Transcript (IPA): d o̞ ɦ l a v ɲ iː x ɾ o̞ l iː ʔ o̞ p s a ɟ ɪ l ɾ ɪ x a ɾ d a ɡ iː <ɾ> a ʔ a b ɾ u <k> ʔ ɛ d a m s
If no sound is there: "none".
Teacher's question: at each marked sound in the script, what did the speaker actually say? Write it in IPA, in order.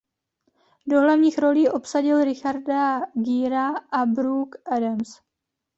ɾ, k

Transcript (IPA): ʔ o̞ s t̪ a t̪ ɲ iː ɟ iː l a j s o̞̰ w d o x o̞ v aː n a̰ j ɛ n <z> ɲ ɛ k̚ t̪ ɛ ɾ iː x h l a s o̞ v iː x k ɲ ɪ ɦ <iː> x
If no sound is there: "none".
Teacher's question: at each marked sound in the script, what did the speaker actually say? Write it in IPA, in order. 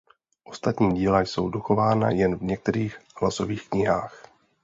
v, aː

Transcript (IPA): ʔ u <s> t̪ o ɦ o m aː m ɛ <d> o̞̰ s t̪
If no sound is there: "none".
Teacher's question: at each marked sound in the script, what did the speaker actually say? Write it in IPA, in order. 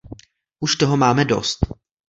ʃ, d

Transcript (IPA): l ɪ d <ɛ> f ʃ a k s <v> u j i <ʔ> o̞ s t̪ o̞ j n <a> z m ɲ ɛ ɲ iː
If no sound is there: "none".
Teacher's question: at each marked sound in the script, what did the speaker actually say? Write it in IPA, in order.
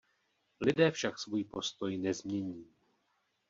ɛː, v, p, ɛ

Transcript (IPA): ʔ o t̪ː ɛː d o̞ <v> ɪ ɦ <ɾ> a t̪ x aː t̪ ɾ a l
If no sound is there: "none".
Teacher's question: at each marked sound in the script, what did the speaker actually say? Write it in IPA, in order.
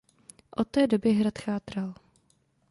b, ɾ

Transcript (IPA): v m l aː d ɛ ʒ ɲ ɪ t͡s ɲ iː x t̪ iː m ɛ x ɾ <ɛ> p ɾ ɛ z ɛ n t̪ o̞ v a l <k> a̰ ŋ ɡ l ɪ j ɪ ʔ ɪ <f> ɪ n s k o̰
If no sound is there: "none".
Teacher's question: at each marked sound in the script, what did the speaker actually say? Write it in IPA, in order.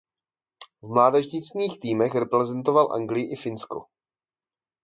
ɛ, ʔ, f

